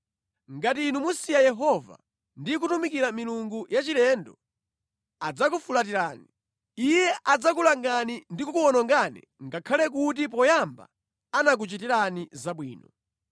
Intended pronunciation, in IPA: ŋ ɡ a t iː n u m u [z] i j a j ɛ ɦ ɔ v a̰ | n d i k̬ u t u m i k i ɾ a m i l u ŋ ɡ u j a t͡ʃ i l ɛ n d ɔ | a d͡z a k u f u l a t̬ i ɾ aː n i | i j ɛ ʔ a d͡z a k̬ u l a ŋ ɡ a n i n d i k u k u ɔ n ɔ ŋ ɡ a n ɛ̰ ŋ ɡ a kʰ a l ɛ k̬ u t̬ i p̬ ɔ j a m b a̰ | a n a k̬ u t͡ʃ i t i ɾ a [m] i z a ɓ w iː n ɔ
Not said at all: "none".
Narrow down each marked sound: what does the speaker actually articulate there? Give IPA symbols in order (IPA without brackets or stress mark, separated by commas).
s, n